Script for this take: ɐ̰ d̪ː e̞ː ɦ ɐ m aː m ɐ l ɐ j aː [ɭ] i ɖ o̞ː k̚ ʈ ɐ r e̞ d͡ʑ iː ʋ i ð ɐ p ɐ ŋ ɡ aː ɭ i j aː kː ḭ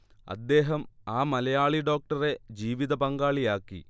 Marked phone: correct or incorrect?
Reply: correct